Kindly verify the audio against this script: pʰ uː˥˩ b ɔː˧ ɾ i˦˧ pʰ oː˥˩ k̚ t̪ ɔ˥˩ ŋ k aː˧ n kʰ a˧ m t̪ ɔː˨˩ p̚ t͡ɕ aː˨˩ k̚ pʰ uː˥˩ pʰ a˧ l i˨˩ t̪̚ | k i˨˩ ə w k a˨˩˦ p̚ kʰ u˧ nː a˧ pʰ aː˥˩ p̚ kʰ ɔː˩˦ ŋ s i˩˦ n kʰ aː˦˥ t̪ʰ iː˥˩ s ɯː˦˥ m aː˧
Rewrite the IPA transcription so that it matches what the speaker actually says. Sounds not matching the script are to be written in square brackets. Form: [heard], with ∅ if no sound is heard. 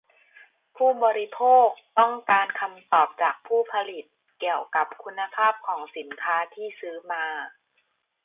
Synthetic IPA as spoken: pʰ uː˥˩ b ɔː˧ ɾ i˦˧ pʰ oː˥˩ k̚ t̪ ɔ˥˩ ŋ k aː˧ n kʰ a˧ m t̪ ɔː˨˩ p̚ t͡ɕ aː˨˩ k̚ pʰ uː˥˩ pʰ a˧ l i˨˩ t̪̚ | k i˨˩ ə w k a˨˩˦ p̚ kʰ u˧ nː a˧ pʰ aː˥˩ p̚ kʰ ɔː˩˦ ŋ s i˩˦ n kʰ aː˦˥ t̪ʰ iː˥˩ s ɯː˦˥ m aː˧